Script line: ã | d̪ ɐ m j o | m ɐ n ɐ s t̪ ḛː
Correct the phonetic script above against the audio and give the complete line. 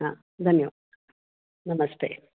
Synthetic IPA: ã | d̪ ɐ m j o | n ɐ m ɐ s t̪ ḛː